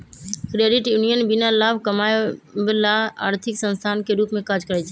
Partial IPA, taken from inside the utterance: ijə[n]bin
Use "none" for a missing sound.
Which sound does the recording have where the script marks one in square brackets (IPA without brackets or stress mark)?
n